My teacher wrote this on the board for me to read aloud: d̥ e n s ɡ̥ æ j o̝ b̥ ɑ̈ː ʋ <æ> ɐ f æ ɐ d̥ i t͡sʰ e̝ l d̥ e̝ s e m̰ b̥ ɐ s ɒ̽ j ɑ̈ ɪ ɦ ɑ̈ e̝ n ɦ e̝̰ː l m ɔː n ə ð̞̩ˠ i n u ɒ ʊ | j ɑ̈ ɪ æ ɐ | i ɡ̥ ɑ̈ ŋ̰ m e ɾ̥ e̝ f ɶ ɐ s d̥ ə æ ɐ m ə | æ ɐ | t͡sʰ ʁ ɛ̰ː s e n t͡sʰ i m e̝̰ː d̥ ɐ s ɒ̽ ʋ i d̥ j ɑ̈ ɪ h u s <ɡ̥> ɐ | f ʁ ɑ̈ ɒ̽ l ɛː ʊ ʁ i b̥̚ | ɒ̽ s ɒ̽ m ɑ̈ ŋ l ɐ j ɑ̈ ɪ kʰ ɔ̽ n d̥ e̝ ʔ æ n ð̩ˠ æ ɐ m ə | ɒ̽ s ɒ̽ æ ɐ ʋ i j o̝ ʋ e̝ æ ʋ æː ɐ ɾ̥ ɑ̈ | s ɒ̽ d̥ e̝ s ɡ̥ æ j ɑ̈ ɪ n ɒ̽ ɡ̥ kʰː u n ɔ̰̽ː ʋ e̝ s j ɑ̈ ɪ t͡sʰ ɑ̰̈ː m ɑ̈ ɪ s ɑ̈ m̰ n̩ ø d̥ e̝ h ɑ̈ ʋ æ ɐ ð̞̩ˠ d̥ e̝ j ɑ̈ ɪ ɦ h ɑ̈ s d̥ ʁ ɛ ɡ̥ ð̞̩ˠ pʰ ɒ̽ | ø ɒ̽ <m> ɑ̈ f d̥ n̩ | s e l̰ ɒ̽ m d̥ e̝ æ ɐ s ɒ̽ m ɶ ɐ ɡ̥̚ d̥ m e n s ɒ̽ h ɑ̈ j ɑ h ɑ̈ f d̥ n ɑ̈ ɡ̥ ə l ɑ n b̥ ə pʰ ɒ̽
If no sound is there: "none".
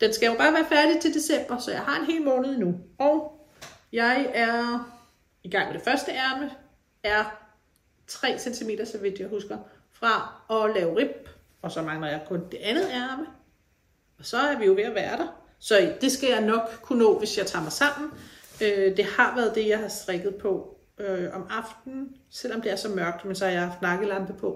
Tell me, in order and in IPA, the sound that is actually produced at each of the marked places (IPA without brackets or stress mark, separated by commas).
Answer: æː, ɡ̥, m